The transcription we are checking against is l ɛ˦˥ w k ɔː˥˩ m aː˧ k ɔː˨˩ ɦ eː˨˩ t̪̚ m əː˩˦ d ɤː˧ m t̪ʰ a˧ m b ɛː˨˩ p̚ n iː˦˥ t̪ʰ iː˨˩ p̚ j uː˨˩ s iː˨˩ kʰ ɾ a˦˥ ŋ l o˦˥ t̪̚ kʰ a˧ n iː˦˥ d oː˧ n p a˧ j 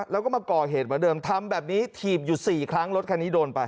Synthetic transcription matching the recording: l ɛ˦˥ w k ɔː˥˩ m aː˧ k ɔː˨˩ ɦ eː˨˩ t̪̚ m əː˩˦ d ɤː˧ m t̪ʰ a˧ m b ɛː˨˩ p̚ n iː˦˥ t̪ʰ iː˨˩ p̚ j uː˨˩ s iː˨˩ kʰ ɾ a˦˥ ŋ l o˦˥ t̪̚ kʰ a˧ n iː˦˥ d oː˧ n p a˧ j